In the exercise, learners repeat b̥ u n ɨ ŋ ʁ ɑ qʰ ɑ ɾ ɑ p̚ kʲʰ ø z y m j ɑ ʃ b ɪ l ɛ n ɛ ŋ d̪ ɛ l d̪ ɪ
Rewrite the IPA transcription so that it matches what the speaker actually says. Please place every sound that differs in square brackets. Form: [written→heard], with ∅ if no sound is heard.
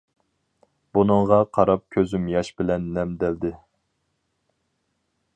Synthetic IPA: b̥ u n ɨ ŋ ʁ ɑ qʰ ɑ ɾ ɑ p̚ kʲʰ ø z y m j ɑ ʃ b ɪ l ɛ [n→nː] ɛ [ŋ→m] d̪ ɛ l d̪ ɪ